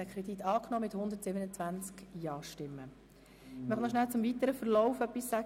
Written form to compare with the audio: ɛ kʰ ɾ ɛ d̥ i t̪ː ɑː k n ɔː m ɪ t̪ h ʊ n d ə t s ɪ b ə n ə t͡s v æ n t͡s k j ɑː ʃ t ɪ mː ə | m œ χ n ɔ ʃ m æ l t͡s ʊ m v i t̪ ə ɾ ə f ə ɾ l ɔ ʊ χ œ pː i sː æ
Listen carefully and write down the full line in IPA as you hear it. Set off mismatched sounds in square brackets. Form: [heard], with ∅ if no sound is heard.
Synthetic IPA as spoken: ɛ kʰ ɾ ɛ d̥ i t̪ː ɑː k n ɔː m ɪ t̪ h ʊ n d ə t s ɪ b ə n ə t͡s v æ n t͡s k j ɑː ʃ t ɪ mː ə | m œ χ n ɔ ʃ [n] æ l t͡s ʊ m v i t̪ ə ɾ ə f ə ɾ l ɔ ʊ [f] œ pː i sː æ